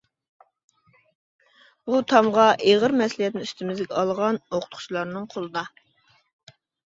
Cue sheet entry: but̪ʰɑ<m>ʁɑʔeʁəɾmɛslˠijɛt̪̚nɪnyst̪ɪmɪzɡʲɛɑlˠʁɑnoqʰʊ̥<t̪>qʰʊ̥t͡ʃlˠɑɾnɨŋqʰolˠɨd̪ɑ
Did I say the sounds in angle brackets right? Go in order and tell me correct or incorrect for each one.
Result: correct, correct

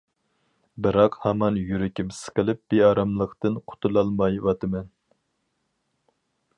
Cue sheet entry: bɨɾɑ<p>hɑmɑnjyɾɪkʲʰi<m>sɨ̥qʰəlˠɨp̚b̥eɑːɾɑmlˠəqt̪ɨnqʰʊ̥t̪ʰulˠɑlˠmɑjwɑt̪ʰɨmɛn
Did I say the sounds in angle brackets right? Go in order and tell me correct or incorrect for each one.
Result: incorrect: q, correct

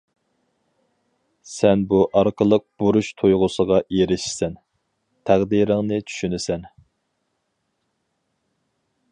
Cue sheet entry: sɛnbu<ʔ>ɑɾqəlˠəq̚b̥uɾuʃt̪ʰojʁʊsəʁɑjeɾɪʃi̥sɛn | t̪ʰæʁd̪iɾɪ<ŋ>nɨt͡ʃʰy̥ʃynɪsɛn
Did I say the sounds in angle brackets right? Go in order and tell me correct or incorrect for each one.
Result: correct, correct

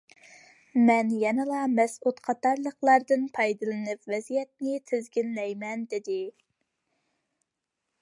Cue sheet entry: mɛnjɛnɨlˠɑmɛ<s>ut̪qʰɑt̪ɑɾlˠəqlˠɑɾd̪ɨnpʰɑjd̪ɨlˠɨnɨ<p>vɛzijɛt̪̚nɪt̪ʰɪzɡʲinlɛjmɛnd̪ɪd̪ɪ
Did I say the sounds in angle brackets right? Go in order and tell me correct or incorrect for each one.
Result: correct, correct

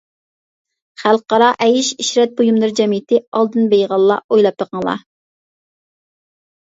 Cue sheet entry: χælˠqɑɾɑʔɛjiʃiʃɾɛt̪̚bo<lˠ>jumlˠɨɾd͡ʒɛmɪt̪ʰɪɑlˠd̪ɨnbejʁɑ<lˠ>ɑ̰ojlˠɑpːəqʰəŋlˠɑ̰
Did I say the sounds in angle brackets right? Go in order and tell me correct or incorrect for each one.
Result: incorrect: none, incorrect: lˠː

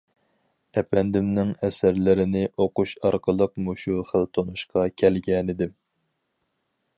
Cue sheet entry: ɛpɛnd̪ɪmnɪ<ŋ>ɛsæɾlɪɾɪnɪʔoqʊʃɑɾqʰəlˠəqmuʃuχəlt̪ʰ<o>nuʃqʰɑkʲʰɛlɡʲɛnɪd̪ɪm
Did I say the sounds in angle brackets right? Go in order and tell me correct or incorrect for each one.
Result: correct, correct

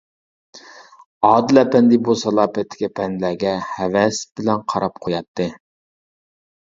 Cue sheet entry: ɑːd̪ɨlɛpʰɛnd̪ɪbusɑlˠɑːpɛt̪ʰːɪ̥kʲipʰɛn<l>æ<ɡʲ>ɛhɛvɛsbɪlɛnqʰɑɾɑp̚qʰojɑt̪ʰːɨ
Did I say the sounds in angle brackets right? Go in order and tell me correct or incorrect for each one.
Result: correct, correct

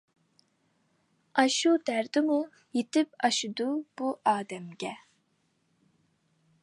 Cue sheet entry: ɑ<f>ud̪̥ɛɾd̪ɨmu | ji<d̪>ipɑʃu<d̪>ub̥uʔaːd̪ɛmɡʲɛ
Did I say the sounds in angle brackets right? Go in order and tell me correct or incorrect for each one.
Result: incorrect: ʃ, incorrect: t̪, correct

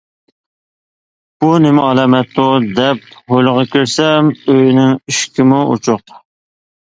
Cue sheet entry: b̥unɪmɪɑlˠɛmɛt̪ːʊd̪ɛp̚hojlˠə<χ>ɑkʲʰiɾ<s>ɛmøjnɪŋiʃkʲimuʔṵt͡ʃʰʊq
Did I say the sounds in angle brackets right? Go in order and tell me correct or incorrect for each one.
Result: incorrect: ʁ, correct

